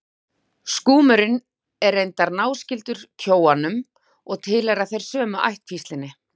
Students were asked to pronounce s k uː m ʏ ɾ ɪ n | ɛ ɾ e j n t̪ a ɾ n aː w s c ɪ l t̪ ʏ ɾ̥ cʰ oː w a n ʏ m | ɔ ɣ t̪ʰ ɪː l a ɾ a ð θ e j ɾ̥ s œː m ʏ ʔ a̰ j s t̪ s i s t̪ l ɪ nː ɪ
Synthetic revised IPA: s k uː m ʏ ɾ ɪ n | ɛ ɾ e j n t̪ a ɾ n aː w s c ɪ l t̪ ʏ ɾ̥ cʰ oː w a n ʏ m | ɔ ɣ t̪ʰ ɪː l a ɾ a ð θ e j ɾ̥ s œː m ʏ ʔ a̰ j h t̪ f i s t̪ l ɪ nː ɪ